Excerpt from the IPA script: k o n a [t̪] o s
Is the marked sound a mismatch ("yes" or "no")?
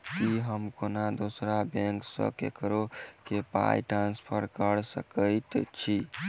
yes